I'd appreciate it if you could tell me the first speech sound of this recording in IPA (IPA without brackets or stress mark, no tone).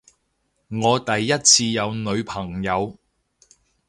ŋ